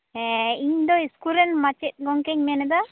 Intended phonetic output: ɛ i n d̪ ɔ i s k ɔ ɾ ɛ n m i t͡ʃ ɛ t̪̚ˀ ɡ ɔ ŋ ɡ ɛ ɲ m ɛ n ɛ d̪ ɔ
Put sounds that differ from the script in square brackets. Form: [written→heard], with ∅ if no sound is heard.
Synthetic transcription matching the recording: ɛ i [n→ɲ] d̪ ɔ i s k [ɔ→u] ɾ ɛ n m [i→a] t͡ʃ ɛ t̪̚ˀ ɡ ɔ ŋ [ɡ→k] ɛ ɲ m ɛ n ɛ d̪ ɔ